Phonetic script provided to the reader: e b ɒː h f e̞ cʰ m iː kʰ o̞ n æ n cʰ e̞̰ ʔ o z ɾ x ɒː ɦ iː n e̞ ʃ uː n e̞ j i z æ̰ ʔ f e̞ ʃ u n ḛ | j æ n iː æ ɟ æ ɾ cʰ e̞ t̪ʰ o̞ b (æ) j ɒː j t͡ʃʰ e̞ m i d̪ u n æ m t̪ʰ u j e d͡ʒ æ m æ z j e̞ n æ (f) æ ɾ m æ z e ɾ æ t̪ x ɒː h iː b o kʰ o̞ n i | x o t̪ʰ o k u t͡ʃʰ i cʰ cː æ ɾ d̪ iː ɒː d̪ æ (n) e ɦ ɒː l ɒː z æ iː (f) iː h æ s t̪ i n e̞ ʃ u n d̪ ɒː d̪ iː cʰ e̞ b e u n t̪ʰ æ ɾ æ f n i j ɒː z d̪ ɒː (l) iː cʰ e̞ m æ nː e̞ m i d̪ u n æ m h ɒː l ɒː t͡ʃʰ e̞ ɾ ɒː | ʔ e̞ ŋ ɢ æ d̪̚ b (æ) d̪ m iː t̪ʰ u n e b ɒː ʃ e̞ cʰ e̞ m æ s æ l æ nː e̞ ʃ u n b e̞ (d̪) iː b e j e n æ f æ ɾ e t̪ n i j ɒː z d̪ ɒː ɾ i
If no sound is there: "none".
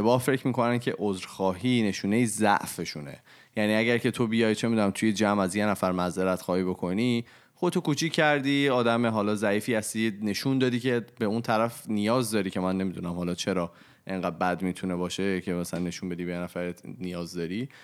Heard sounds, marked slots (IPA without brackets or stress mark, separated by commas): i, f, m, f, ɾ, æ, d̪